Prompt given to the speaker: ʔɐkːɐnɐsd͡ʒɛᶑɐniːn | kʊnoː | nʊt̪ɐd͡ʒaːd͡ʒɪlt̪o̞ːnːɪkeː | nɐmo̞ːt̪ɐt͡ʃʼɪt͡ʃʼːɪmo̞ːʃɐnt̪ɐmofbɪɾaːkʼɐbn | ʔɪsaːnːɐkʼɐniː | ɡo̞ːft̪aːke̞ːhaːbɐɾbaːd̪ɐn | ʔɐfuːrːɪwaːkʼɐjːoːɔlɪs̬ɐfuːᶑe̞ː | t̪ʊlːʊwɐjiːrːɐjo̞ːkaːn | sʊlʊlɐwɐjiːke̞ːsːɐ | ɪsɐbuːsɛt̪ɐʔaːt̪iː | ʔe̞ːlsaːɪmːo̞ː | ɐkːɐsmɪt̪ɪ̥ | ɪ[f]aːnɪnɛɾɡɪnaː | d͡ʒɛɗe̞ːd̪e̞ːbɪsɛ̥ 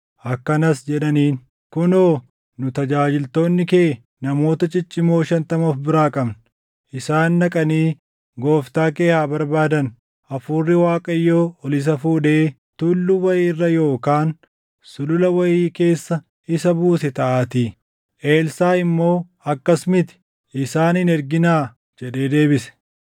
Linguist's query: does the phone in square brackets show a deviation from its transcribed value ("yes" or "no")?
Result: yes